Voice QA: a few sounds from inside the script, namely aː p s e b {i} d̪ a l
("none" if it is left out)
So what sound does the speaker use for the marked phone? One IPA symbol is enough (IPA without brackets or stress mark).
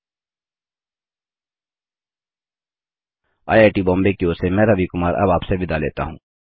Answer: ɪ